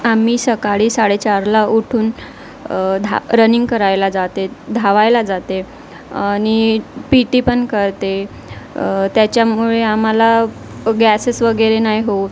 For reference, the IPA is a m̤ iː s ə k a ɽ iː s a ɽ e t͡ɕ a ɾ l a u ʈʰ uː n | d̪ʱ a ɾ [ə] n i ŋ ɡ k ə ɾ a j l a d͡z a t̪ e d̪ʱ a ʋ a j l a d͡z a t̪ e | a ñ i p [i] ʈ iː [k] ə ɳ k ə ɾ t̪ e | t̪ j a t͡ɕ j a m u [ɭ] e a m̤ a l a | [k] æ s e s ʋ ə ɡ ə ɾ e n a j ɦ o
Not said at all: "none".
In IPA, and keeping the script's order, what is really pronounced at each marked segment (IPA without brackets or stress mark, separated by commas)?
ə, i, p, ɭ, ɡ